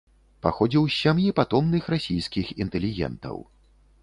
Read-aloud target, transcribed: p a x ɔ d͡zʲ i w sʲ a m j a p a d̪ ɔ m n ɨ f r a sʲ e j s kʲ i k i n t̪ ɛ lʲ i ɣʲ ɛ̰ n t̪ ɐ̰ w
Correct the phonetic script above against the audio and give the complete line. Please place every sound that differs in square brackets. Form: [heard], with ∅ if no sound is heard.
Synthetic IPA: p a x ɔ d͡zʲ i w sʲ a m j [i] p a [t̪] ɔ m n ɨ [x] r a sʲ [i] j s kʲ i [x] i n t̪ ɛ lʲ i ɣʲ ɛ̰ n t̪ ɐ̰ w